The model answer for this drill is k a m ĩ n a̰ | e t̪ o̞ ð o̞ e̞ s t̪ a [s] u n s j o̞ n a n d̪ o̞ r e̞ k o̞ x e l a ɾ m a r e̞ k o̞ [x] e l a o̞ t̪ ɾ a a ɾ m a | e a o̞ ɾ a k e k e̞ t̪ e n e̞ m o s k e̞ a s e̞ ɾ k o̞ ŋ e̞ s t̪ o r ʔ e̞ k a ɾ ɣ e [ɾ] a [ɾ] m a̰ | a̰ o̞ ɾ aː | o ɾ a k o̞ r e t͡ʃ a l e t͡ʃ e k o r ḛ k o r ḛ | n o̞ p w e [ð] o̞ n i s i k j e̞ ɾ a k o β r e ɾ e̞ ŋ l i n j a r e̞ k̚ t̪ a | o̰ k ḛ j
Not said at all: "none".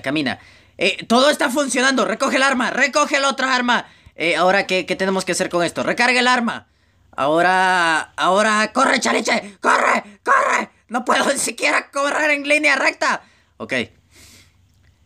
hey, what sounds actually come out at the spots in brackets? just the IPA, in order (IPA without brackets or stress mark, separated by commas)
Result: f, x, l, ɾ, ð